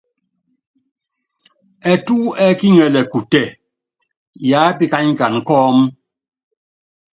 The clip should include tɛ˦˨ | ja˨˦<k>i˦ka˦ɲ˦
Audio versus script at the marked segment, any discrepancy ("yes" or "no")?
yes